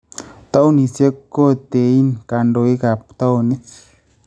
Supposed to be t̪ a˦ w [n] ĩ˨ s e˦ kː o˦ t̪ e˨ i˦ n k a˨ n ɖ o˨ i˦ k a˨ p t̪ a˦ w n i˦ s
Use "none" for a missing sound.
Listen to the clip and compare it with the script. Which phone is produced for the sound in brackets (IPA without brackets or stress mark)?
n